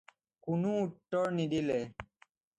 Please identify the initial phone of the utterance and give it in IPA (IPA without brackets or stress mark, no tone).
k